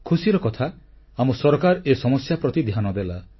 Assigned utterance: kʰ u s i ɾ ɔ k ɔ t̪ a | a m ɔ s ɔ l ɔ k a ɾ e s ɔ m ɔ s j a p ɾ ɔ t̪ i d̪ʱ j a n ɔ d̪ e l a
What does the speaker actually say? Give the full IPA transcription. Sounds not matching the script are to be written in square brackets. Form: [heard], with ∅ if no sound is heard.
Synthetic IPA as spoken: kʰ u s i ɾ ɔ k ɔ [t̪ʰ] a | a m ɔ s ɔ [ɾ] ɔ k a ɾ e s ɔ m ɔ s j a p ɾ ɔ t̪ i d̪ʱ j a n ɔ d̪ e l a